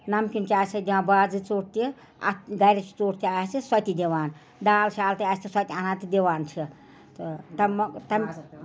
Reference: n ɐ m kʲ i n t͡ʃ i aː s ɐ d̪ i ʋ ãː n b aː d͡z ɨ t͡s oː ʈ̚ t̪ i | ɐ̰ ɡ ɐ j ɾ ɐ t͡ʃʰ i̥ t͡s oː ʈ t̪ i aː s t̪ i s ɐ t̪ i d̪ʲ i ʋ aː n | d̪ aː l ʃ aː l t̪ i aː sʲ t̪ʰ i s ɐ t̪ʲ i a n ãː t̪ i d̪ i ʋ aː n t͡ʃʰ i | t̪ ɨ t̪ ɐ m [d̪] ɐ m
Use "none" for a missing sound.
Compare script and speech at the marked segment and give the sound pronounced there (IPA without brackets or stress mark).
t̪